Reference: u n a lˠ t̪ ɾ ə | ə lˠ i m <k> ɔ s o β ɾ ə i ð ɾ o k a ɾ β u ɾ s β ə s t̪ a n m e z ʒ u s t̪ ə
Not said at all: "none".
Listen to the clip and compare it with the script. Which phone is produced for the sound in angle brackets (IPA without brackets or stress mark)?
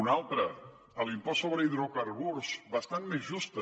p